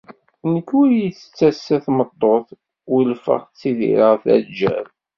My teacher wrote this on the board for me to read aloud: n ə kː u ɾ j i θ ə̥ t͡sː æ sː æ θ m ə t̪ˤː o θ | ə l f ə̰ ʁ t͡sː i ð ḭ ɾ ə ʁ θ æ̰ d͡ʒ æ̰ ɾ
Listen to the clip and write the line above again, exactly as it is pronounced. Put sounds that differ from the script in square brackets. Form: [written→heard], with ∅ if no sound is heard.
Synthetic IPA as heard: n ə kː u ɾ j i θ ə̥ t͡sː æ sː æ θ m ə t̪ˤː o θ | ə l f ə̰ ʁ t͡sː i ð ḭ ɾ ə ʁ θ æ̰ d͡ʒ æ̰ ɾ